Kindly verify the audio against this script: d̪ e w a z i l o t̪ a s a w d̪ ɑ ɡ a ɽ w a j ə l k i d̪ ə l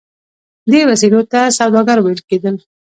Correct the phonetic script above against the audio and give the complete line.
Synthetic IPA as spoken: d̪ e w a s i l o t̪ a s a w d̪ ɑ ɡ a ɾ w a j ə l k e d̪ ə l